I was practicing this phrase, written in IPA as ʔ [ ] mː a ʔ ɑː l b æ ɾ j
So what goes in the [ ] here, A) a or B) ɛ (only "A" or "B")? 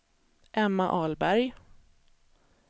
B